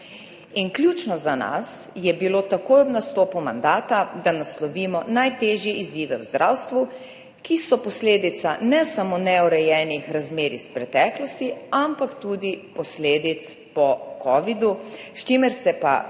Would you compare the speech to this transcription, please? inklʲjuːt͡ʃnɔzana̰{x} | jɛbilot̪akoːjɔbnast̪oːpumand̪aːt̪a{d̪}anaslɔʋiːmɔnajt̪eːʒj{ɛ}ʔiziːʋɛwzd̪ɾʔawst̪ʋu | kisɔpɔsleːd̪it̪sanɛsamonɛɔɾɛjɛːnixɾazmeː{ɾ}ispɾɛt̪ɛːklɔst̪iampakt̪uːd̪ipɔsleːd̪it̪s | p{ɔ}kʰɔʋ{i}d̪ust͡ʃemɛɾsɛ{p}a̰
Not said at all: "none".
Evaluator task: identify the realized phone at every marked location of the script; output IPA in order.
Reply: s, d̪, ɛ, ɾ, ɔ, i, p

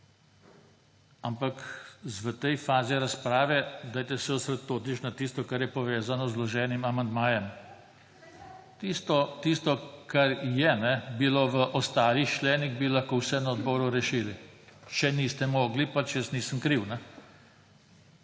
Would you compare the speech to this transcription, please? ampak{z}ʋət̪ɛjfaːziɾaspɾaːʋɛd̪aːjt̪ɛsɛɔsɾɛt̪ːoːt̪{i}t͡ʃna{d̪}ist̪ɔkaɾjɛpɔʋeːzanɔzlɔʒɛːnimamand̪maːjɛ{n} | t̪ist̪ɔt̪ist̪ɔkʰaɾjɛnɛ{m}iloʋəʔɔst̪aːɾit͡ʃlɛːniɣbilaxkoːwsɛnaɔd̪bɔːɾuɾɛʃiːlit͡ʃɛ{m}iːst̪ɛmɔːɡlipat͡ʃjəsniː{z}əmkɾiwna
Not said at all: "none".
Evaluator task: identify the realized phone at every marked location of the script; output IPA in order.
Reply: z, i, t̪, m, b, n, s

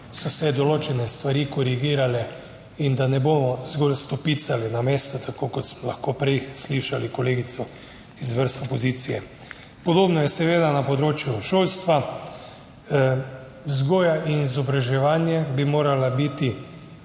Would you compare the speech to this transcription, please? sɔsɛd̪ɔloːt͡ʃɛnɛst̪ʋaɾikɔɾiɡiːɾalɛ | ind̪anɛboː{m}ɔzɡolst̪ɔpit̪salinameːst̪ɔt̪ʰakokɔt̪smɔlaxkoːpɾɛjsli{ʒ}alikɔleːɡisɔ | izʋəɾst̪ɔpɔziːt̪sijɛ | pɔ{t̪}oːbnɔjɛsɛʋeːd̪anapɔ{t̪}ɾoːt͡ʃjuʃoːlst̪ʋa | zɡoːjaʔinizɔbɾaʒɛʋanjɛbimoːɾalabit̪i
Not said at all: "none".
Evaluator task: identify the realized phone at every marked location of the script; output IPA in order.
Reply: m, ʃ, d̪, d̪

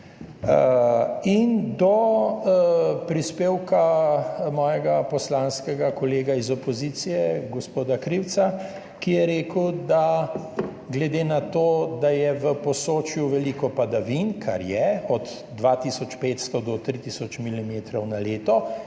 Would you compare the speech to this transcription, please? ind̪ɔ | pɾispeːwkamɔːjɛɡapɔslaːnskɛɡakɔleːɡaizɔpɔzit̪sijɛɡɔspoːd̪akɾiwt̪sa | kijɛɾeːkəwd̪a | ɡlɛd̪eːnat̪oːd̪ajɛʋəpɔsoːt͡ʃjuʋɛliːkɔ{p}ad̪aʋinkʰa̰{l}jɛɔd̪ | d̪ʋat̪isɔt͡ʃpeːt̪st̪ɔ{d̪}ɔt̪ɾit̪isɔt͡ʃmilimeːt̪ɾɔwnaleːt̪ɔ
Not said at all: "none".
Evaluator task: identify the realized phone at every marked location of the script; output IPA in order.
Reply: p, ɾ, d̪

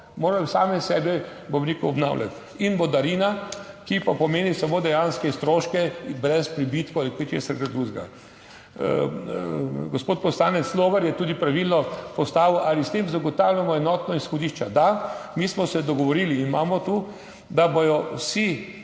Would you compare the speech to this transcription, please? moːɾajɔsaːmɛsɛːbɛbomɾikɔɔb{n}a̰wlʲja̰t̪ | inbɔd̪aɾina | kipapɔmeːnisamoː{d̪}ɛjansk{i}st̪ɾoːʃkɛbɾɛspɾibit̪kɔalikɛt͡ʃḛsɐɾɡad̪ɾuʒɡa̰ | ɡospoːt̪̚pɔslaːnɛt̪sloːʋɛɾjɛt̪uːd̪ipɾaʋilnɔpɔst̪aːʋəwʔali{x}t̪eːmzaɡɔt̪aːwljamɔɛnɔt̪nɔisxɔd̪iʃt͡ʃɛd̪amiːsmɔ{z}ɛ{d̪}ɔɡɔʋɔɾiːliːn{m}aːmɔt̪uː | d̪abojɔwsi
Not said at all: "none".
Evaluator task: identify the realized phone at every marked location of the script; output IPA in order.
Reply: n, d̪, ɛ, s, s, d̪, m

